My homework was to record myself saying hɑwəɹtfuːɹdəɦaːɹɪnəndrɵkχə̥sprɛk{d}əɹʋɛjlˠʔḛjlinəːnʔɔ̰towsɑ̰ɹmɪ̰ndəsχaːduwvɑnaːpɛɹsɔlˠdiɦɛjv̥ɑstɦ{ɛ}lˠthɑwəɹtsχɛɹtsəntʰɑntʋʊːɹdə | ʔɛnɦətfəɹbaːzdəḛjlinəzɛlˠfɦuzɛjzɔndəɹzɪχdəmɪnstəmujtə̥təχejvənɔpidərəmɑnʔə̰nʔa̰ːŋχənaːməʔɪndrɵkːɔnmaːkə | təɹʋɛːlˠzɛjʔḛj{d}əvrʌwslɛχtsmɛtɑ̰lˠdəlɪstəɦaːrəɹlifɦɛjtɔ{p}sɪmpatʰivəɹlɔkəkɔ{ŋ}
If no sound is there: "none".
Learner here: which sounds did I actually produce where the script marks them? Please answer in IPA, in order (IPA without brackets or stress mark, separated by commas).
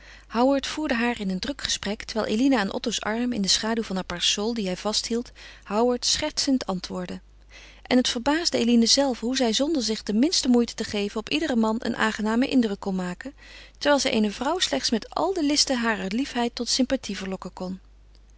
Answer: t, i, n, t, n